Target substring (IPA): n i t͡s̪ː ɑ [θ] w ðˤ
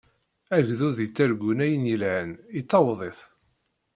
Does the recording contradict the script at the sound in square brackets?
yes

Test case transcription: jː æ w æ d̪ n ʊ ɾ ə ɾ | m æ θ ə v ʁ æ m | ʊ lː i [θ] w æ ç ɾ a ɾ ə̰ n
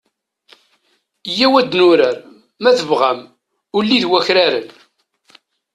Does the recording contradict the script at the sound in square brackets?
yes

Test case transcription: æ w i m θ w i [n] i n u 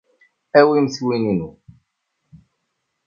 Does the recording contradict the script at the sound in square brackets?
no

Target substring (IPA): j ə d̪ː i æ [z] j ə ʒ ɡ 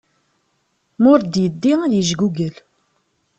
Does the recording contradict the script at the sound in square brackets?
yes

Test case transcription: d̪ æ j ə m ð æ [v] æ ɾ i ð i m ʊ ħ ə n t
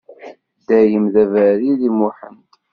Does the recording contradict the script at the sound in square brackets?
no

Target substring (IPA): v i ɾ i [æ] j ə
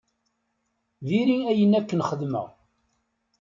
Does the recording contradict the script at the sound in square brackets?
no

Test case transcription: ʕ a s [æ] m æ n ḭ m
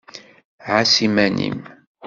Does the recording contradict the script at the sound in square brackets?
yes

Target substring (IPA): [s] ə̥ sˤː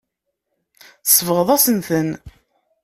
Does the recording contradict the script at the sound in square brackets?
yes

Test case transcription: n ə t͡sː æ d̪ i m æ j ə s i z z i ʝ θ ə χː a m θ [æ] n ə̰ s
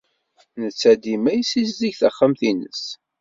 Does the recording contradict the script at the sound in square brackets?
yes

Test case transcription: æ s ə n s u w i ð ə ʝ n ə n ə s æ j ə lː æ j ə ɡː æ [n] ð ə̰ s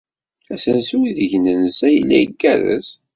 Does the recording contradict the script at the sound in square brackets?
yes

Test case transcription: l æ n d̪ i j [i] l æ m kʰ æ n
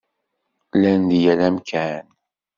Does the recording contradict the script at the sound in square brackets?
yes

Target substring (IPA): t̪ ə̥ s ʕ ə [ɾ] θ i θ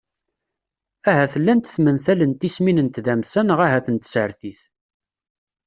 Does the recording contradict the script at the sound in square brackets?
no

